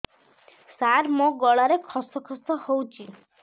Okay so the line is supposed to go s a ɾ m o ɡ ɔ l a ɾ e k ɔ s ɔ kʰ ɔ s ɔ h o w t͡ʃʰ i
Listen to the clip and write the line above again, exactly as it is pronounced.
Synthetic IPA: s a ɾ m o ɡ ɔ ɭ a ɾ e kʰ ɔ s ɔ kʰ ɔ s ɔ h o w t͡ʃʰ i